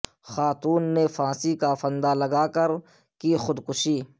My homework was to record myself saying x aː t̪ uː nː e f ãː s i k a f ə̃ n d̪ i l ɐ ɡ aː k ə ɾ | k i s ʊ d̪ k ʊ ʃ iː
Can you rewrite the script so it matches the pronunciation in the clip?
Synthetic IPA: x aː t̪ uː nː e f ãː s i k a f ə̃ n d̪ a l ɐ ɡ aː k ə ɾ | k i x ʊ d̪ k ʊ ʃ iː